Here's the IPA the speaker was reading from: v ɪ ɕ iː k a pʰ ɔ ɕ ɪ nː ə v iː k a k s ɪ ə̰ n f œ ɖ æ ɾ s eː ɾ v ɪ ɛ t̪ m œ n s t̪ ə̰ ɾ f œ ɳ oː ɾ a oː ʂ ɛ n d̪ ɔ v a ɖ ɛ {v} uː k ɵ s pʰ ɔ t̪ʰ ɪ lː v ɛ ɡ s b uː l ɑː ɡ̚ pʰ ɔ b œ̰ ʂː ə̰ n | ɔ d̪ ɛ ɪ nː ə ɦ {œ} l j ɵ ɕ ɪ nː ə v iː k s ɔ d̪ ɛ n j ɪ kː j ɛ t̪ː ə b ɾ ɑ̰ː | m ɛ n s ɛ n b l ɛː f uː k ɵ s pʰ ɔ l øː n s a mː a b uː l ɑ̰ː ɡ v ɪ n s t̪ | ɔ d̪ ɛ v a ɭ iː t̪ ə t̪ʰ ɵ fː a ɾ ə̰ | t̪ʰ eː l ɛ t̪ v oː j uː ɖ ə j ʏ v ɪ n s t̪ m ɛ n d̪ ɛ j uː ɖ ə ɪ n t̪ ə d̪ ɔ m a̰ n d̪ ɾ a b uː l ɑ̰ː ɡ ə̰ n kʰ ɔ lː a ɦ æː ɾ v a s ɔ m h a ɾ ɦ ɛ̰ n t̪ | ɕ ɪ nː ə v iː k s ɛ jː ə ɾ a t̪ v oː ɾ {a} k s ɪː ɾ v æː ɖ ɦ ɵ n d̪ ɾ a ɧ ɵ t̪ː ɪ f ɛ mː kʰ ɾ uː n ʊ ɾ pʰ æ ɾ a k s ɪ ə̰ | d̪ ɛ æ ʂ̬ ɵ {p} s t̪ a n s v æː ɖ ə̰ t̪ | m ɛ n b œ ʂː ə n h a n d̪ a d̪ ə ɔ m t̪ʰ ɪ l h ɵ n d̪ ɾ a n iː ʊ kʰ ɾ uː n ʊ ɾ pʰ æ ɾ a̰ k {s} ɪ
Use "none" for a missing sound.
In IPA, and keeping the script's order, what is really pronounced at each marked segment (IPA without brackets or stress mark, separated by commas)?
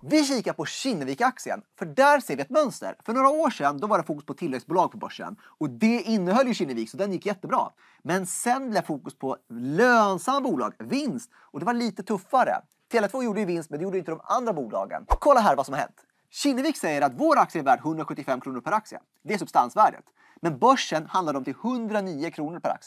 f, œ, a, b, s